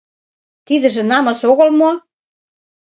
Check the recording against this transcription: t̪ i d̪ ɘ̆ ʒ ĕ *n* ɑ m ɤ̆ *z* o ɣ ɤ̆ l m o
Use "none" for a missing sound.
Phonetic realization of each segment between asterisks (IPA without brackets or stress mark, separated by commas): n, s